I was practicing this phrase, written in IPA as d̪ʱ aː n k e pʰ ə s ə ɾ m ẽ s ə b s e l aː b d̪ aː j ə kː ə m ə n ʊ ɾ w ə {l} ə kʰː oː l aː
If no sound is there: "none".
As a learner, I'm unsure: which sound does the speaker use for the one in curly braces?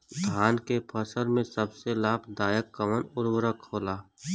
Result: ɾ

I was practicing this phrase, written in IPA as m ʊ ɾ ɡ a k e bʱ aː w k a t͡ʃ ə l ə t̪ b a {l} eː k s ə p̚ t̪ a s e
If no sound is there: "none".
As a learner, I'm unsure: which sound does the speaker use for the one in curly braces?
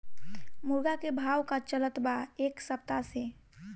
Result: none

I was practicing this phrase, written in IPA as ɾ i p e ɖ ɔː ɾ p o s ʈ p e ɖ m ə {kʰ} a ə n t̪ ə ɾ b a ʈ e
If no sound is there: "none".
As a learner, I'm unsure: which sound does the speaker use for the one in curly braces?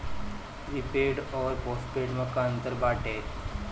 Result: k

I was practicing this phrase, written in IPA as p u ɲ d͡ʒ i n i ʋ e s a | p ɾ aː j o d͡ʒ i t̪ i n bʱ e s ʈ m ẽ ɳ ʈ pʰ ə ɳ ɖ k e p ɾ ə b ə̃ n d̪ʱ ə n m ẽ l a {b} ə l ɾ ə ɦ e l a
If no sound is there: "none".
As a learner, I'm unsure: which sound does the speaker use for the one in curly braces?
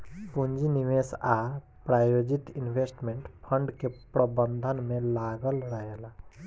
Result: ɡ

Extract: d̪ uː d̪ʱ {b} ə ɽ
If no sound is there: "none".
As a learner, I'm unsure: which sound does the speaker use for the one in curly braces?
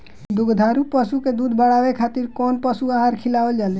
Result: b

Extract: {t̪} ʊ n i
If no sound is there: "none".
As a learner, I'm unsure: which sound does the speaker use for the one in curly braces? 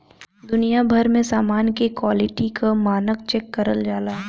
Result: d̪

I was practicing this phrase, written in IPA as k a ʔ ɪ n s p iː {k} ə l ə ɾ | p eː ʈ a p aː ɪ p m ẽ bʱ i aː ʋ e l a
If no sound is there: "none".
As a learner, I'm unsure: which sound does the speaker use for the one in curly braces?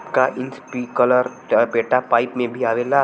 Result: k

